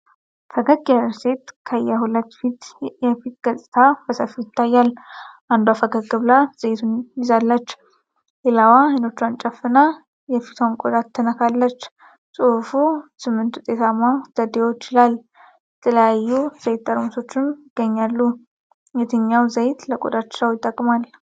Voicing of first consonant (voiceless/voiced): voiceless